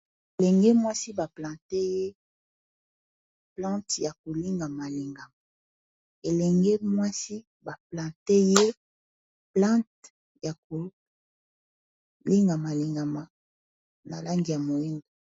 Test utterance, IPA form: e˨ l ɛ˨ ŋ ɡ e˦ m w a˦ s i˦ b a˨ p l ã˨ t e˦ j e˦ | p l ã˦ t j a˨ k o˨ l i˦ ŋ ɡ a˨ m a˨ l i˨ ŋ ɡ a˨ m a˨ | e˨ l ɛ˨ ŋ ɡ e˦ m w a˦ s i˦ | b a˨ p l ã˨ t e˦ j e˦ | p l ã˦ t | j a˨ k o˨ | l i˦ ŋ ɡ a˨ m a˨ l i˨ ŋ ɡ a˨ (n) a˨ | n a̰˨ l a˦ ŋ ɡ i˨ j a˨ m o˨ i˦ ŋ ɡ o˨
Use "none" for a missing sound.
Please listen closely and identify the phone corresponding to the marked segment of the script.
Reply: m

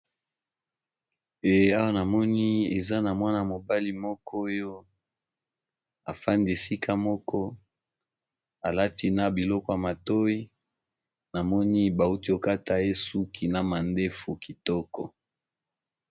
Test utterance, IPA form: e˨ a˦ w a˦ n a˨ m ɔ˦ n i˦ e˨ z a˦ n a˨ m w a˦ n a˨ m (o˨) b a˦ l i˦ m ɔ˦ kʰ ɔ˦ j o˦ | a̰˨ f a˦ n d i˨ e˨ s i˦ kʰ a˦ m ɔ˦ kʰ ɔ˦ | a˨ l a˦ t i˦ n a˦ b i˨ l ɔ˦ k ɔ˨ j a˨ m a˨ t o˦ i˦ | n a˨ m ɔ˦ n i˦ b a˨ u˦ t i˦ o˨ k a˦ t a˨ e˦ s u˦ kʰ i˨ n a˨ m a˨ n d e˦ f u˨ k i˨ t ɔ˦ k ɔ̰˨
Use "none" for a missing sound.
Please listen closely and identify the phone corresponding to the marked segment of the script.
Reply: o˨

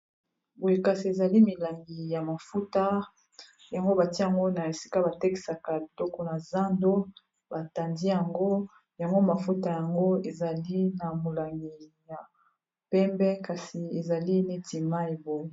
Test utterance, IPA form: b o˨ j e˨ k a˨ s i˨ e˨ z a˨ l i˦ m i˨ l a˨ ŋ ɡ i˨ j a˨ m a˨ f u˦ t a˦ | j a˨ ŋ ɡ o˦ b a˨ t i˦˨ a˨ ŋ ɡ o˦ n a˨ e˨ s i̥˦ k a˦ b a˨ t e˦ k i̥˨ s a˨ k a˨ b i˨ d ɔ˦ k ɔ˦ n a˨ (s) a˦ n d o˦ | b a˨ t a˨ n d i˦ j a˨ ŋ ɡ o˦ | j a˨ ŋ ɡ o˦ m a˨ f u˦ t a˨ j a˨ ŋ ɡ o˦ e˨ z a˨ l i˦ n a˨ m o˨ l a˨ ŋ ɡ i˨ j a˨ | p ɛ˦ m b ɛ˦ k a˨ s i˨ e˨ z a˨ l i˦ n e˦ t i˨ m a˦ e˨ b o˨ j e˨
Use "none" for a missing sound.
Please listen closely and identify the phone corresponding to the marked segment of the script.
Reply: z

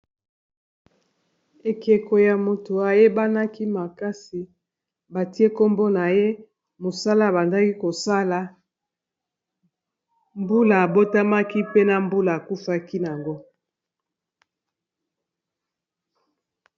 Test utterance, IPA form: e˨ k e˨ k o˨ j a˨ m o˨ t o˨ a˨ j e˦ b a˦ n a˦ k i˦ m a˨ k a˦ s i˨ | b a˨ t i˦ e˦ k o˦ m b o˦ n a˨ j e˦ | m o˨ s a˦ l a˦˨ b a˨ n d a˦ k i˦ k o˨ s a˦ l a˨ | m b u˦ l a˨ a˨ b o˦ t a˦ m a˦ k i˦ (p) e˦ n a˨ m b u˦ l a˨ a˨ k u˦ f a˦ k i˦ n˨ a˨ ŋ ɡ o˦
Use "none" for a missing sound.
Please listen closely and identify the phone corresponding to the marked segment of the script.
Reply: p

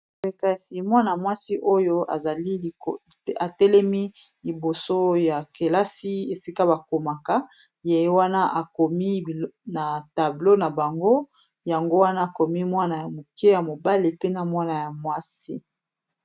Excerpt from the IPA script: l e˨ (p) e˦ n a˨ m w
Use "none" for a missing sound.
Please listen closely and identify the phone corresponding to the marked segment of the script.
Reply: p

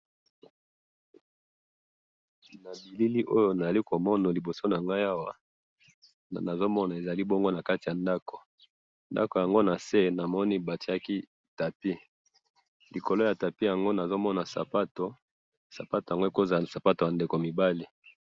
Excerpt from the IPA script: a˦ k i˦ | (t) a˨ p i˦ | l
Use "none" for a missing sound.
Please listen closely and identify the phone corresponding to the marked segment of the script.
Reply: t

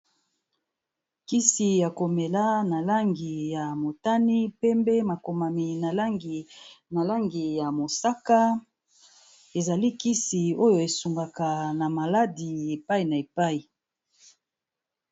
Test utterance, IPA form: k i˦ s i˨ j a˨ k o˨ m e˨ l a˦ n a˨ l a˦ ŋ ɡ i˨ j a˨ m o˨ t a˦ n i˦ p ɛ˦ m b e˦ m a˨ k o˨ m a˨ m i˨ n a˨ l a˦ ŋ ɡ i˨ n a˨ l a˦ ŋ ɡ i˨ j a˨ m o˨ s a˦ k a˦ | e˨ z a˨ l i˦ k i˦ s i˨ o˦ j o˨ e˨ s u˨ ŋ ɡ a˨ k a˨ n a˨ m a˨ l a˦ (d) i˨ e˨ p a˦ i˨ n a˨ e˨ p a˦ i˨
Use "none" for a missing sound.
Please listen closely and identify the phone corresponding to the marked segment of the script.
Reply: d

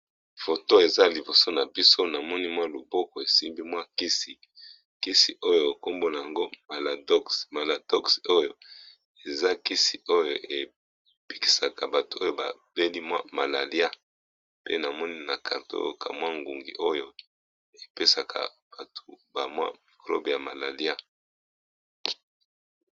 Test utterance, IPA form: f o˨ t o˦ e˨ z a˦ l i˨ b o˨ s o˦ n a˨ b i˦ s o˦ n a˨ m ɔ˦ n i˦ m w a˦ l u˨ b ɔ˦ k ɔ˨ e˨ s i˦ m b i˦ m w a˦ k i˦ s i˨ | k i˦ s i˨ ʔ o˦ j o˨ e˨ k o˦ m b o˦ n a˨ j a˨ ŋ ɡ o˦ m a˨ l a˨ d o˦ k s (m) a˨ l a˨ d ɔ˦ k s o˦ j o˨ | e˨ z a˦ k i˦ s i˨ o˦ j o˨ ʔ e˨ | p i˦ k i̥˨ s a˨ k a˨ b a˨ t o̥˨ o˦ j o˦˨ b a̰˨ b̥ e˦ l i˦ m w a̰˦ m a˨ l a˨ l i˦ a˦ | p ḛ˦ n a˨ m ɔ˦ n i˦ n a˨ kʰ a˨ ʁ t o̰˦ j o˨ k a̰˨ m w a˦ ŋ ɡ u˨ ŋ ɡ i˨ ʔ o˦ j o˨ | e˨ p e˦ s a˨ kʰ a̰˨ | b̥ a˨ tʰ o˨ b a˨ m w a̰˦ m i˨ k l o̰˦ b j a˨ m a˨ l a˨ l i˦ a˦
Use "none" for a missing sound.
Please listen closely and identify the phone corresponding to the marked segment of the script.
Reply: m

